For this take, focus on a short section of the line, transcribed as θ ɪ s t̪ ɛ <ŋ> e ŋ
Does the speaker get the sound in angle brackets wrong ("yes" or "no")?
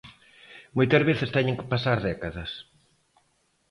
yes